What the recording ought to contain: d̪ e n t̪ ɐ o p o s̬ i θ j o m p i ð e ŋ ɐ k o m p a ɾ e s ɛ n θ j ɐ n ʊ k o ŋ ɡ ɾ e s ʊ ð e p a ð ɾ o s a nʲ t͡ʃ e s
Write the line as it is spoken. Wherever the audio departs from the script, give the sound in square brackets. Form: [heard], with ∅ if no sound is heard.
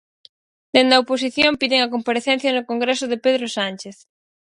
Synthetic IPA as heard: d̪ e n [d̪] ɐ o p o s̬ i θ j o m p i ð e ŋ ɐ k o m p a ɾ e [θ] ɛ n θ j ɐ n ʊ k o ŋ ɡ ɾ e s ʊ ð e p [e] ð ɾ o s a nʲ t͡ʃ e [θ]